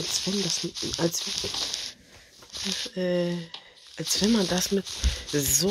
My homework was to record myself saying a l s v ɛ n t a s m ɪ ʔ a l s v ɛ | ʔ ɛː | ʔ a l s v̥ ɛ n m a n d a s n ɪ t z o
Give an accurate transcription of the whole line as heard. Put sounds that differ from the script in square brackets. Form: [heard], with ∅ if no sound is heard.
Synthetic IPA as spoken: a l s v ɛ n [d] a s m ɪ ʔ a l s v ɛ | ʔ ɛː | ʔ a l s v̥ ɛ n m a n d a s [m] ɪ t z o